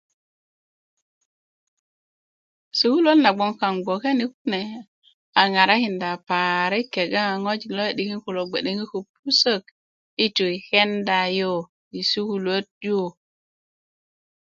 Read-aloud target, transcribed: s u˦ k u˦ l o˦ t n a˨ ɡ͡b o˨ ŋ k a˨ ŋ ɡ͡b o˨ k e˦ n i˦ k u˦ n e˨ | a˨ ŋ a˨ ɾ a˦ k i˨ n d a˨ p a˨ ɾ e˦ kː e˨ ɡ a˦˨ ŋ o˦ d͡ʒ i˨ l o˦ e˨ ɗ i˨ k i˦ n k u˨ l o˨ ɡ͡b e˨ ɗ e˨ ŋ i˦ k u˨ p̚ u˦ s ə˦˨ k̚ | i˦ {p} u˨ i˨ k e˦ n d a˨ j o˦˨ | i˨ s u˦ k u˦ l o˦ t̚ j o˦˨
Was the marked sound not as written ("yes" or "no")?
yes